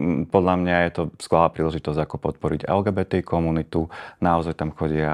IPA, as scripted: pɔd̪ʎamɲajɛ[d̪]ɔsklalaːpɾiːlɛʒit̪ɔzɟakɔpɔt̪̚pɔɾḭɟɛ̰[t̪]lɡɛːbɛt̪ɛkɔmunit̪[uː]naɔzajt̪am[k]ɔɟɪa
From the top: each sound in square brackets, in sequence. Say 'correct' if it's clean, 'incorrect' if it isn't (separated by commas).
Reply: incorrect, incorrect, incorrect, incorrect